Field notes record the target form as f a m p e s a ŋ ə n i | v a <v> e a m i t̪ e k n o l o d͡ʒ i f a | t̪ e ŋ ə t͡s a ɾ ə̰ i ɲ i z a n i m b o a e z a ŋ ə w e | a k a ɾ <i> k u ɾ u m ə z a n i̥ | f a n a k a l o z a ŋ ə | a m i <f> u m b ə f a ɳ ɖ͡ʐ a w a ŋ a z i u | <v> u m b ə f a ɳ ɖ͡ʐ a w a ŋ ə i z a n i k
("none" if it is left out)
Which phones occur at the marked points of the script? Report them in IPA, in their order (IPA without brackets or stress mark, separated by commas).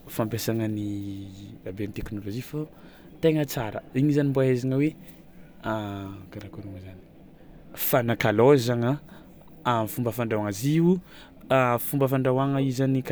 b, a, f, f